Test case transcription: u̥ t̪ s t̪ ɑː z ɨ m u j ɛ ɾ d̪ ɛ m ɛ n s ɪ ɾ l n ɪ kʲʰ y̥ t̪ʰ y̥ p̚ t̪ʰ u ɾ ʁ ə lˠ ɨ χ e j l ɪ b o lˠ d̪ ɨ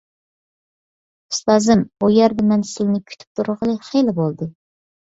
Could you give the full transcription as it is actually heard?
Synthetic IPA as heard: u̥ s t̪ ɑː z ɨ m u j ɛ ɾ d̪ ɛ m ɛ n s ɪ l n ɪ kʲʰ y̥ t̪ʰ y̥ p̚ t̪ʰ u ɾ ʁ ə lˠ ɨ χ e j l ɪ b o lˠ d̪ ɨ